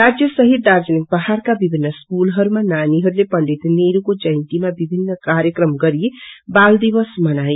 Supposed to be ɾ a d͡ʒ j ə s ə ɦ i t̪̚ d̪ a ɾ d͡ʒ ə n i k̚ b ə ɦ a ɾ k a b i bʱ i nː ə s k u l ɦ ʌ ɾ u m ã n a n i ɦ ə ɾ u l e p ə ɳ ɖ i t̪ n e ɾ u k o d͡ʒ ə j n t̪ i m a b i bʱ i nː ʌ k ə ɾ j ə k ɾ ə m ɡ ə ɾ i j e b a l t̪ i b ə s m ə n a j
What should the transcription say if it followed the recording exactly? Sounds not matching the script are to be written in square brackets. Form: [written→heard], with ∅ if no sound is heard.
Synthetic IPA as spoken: ɾ a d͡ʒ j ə s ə ɦ i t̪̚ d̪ a ɾ d͡ʒ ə n i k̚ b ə ɦ a ɾ k a b i bʱ i nː ə s k u l ɦ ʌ ɾ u m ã n a n i ɦ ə ɾ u l e p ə ɳ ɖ i t̪ n e ɾ u k o d͡ʒ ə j n t̪ i m a b i bʱ i nː [ʌ→ə] k [ə→a] ɾ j ə k ɾ ə m ɡ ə ɾ i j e b a l [t̪→d̪] i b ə s m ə n a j